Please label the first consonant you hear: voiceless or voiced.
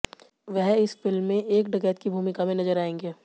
voiced